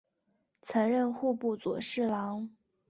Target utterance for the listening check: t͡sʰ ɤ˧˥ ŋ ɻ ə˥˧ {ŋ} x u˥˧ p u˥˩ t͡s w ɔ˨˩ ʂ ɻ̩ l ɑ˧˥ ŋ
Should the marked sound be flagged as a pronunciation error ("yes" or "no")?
yes